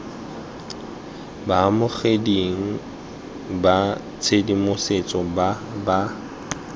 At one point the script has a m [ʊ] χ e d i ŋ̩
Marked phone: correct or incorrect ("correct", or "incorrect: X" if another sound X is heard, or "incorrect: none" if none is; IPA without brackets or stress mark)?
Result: correct